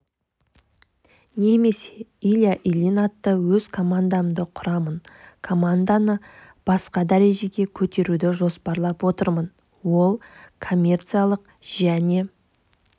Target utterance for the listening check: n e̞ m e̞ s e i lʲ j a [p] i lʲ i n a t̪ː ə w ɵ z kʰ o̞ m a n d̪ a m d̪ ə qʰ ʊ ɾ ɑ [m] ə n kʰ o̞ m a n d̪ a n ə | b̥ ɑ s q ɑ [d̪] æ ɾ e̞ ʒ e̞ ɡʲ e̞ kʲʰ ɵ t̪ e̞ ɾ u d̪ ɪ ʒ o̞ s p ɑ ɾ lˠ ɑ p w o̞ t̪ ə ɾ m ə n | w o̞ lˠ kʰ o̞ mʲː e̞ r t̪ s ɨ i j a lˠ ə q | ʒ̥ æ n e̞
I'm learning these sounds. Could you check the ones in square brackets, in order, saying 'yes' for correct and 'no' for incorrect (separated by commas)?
no, yes, yes